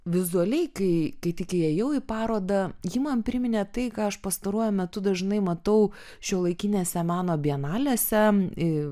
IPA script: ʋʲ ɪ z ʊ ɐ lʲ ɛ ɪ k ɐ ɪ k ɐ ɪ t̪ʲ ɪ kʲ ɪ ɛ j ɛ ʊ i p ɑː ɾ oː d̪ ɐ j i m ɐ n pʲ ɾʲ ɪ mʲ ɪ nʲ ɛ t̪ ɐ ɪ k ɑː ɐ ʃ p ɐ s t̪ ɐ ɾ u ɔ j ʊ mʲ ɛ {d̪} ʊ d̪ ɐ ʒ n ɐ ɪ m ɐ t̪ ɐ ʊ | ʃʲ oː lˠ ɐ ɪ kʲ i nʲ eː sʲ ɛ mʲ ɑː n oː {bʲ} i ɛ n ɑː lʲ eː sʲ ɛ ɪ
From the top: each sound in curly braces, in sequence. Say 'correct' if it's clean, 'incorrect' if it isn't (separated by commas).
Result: incorrect, correct